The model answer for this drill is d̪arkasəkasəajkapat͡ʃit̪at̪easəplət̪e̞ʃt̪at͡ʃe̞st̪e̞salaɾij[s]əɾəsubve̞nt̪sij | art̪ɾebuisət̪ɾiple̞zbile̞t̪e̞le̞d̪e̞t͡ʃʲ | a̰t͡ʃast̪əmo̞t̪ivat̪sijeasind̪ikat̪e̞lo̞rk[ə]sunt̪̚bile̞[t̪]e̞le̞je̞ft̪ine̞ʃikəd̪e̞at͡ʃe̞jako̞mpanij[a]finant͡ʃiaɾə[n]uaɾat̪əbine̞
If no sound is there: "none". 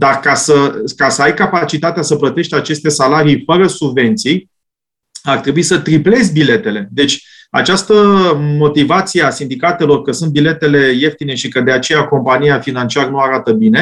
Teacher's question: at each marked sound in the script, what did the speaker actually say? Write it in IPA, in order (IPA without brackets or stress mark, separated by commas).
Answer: f, ə, t̪, a, n